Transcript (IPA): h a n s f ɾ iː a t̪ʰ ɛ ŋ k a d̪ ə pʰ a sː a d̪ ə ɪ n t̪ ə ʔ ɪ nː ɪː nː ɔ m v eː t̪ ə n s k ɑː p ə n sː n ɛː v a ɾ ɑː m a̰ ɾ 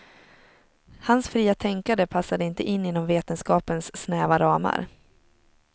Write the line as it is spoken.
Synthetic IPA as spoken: h a n s f ɾ iː a t̪ʰ ɛ ŋ k a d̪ ə pʰ a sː a d̪ ə ɪ n t̪ ə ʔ ɪ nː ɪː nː ɔ m v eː t̪ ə n s k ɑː p ə n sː n ɛː v a ɾ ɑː m a̰ ɾ